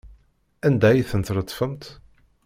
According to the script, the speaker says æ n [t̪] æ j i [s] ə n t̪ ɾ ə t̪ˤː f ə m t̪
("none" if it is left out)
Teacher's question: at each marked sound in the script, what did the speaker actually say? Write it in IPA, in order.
d̪, θ

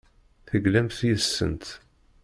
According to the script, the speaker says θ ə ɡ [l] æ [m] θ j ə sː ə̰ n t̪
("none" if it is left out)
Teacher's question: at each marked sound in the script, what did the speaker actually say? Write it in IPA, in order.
l, m

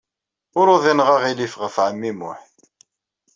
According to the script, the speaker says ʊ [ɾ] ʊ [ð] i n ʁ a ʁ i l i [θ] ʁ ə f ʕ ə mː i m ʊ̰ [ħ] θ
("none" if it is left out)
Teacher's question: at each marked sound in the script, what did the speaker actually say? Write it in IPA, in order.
ɾ, ð, f, ħ

